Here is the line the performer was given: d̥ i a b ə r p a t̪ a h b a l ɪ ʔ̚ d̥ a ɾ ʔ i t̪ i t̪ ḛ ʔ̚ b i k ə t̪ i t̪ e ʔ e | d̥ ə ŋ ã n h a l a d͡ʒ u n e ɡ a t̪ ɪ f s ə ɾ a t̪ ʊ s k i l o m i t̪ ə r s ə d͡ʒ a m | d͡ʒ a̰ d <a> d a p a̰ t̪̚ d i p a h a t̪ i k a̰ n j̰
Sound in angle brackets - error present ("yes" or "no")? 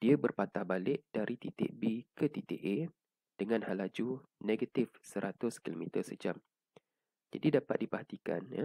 yes